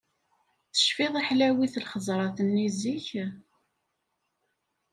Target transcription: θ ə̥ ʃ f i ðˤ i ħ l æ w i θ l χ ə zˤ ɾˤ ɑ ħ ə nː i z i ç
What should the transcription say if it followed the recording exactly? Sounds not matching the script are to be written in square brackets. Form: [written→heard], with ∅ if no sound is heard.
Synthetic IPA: θ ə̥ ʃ f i ðˤ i ħ l æ w i θ l χ ə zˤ ɾˤ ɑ [ħ→θ] ə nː i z i ç